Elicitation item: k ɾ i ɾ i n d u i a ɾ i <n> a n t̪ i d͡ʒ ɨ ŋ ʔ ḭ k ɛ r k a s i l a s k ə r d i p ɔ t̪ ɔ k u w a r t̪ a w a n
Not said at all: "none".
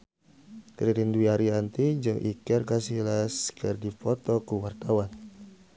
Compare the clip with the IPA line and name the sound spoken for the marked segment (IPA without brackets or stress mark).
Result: none